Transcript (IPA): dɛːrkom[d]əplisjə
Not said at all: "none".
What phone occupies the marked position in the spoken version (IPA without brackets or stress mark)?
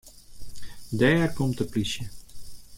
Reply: t